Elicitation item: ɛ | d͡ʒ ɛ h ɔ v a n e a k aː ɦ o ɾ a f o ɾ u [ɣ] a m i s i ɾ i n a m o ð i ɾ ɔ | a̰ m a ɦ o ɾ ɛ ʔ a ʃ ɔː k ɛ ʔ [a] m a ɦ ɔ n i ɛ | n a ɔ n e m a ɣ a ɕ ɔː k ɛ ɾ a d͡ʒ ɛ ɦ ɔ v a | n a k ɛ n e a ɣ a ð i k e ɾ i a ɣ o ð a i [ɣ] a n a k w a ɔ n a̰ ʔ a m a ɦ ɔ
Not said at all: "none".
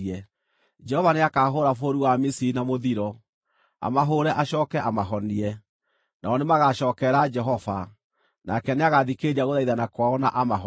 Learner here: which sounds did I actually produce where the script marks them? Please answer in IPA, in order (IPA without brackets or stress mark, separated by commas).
w, a, ð